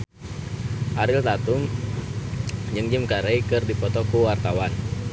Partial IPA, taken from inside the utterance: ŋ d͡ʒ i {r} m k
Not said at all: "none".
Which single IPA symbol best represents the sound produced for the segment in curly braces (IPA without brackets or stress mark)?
none